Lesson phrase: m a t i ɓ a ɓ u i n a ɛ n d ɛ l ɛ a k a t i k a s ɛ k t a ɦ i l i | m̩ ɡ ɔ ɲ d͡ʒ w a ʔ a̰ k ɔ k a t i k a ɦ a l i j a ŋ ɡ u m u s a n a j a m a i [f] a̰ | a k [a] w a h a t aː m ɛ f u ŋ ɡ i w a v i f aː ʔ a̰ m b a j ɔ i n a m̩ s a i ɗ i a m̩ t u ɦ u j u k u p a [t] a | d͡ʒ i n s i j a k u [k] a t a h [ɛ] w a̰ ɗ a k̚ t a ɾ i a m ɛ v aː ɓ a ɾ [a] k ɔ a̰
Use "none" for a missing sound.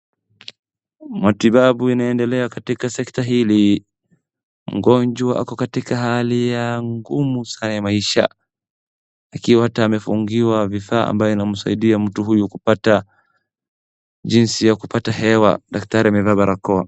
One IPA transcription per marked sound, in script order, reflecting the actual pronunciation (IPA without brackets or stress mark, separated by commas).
ʃ, i, t, p, ɛ, a